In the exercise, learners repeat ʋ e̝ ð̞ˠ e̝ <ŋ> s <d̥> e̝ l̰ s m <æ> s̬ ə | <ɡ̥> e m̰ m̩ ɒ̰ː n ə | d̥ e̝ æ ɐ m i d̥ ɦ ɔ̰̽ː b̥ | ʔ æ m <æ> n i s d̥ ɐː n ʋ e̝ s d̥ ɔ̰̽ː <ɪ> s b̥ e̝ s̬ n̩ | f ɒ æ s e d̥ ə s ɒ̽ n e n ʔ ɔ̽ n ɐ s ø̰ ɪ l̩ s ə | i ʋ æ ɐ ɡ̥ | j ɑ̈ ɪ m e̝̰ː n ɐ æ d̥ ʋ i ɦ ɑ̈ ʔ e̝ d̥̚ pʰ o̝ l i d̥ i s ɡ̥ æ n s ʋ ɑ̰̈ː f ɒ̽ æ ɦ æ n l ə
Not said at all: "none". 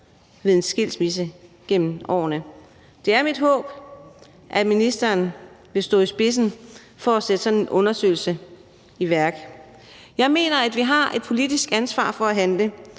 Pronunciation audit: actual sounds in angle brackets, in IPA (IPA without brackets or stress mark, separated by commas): n, ɡ̥, i, ɡ̥, i, i